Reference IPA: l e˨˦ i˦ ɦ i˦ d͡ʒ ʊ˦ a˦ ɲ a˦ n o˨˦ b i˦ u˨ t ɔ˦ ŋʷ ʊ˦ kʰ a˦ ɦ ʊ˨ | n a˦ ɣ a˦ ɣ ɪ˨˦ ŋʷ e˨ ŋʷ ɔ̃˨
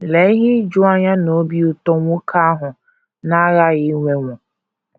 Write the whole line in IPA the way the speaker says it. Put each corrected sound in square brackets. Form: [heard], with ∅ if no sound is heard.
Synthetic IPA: l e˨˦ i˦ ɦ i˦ d͡ʒ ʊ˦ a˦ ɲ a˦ n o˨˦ b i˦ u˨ t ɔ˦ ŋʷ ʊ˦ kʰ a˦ ɦ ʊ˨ | n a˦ ɣ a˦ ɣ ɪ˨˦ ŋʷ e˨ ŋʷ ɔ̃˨